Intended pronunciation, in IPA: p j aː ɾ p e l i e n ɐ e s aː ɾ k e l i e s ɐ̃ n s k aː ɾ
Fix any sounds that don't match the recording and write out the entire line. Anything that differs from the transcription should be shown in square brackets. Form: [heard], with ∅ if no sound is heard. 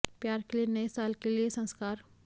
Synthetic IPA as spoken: p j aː ɾ [k] e l i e n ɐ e s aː [l] k e l i e s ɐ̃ n s k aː ɾ